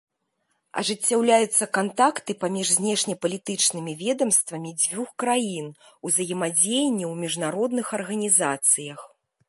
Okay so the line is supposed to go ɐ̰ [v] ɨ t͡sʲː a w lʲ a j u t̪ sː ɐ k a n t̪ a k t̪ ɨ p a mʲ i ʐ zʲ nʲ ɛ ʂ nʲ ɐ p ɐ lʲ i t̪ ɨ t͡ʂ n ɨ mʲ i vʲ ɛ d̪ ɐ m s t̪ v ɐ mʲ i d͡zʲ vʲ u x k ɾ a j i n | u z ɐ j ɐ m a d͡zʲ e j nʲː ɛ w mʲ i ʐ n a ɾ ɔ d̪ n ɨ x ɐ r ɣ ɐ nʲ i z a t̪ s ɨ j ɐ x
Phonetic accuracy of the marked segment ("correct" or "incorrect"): incorrect